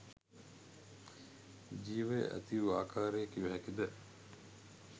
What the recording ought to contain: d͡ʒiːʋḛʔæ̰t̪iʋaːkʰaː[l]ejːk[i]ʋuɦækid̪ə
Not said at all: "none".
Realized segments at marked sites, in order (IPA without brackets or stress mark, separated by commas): ɾ, i